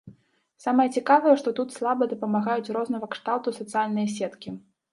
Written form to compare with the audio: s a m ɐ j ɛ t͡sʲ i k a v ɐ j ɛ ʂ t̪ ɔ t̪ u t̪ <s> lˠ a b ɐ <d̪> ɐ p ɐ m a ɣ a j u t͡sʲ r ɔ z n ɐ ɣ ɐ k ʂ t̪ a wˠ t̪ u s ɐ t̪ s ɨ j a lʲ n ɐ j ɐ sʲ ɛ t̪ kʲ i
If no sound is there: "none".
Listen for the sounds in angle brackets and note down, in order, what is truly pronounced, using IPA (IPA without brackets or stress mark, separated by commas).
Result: s, d̪